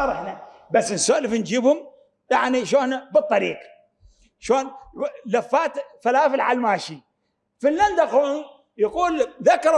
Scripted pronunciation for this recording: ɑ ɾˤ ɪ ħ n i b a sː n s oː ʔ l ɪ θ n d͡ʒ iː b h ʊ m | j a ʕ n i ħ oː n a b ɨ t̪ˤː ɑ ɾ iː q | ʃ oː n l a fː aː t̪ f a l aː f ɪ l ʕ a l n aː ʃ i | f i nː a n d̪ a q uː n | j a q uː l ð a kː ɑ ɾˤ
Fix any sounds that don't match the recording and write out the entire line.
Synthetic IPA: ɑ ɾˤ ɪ ħ n a b a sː n s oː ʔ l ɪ f n d͡ʒ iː b h ʊ m | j a ʕ n i ʃ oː n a b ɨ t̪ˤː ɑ ɾ iː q | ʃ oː n l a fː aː t̪ f a l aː f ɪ l ʕ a l m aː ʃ i | f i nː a n d̪ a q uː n | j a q uː l ð a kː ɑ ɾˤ